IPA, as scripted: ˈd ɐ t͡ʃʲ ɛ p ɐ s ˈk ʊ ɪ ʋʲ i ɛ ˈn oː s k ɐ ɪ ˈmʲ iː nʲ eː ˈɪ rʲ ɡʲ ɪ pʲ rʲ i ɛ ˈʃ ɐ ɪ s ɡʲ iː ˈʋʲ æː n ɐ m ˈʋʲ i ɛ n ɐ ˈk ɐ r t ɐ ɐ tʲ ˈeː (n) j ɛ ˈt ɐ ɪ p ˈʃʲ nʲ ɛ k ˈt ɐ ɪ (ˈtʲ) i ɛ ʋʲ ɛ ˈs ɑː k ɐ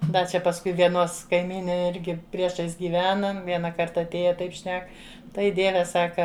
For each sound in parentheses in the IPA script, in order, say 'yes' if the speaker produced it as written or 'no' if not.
no, no

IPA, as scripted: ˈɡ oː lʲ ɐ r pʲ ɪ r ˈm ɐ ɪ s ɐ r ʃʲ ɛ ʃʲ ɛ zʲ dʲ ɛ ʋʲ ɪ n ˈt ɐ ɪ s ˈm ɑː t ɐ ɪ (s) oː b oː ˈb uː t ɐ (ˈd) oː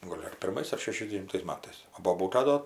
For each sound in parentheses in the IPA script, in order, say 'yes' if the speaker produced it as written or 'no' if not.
yes, yes

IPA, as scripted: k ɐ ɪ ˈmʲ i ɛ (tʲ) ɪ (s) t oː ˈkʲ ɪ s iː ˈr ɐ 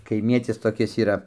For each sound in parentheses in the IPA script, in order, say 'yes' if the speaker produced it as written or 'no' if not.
yes, yes

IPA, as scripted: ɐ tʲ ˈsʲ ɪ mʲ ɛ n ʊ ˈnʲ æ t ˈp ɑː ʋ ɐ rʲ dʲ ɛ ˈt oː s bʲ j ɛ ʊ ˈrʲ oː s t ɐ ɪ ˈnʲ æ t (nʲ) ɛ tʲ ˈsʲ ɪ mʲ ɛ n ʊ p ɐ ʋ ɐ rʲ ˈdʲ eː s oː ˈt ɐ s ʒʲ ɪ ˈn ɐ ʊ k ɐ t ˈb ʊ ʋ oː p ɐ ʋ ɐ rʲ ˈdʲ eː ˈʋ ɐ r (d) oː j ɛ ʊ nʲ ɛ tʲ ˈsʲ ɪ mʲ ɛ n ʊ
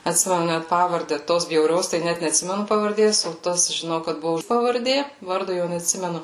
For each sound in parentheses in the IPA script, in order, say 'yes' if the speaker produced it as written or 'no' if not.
yes, yes

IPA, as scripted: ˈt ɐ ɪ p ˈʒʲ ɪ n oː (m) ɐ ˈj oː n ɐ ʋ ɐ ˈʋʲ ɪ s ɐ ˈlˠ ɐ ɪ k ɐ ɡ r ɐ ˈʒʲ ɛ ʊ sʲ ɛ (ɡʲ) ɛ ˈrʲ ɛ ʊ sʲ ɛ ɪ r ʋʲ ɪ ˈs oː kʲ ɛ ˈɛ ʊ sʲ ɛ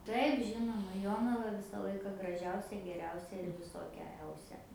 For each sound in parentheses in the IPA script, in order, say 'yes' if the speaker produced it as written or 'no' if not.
yes, yes

